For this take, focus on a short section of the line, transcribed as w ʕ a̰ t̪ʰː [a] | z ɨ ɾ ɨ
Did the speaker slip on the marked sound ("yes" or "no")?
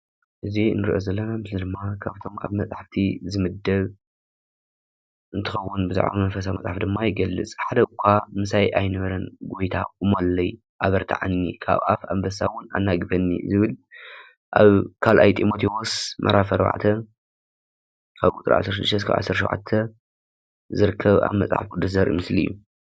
yes